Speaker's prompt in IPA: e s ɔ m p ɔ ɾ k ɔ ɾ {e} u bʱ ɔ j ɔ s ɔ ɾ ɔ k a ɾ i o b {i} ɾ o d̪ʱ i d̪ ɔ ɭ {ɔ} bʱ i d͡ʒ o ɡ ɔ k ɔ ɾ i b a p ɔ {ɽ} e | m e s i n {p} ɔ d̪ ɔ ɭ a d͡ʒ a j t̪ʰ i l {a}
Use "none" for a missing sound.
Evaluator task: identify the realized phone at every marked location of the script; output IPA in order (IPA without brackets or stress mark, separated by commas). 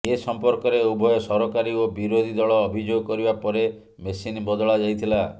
e, i, ɔː, ɾ, b, a